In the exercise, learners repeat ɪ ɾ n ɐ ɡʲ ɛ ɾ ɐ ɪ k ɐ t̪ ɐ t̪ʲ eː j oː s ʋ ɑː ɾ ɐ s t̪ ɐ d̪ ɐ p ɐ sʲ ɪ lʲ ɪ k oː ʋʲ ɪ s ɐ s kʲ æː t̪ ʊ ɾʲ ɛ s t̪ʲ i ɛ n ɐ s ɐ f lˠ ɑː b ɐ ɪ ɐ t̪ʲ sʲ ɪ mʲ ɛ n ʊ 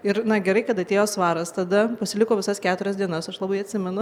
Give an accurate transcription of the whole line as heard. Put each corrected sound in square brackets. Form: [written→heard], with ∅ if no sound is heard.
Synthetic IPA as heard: ɪ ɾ n ɐ ɡʲ ɛ ɾ ɐ ɪ k ɐ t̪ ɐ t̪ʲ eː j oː s ʋ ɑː ɾ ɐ s t̪ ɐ d̪ ɐ p ɐ sʲ ɪ lʲ ɪ k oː ʋʲ ɪ s ɐ s kʲ æː t̪ ʊ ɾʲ ɛ s [t̪ʲ→d̪ʲ] i ɛ n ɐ s ɐ [f→ʃ] lˠ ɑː b ɐ ɪ ɐ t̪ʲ sʲ ɪ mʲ ɛ n ʊ